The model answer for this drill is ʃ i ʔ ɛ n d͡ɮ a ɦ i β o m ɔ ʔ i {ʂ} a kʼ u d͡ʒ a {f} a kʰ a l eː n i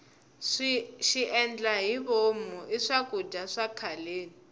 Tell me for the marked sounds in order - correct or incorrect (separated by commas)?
correct, incorrect